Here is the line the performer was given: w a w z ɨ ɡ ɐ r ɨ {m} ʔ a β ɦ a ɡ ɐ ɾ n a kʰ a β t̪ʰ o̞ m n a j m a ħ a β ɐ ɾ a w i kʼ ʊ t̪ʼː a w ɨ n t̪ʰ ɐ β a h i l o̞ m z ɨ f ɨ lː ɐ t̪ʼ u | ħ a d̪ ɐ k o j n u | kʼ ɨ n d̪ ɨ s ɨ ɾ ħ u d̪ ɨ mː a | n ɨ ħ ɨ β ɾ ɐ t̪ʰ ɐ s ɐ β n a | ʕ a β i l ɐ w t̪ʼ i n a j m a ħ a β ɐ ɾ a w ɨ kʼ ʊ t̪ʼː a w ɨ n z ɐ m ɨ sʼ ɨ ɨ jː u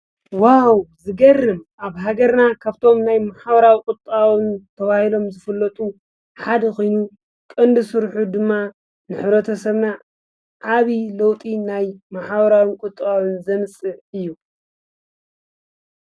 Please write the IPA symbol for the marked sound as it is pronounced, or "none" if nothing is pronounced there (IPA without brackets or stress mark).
m